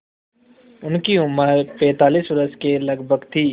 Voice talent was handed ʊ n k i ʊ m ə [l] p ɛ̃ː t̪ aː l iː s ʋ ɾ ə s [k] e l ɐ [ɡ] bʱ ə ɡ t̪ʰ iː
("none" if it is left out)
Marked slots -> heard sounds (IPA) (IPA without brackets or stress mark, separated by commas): ɾ, k, ɡ